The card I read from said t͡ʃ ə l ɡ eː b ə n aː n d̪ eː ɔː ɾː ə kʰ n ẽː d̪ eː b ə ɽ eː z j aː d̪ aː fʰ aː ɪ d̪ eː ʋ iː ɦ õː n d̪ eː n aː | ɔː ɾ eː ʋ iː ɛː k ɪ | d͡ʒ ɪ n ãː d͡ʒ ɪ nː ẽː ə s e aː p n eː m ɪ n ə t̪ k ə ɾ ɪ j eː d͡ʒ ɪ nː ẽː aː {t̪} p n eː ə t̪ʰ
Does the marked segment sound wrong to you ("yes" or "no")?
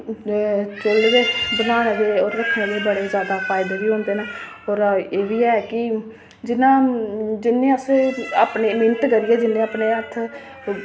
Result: yes